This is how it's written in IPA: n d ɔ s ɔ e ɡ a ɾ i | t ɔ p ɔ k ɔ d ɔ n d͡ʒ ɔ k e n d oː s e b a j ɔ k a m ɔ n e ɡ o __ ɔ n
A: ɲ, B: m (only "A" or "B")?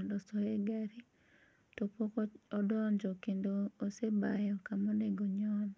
A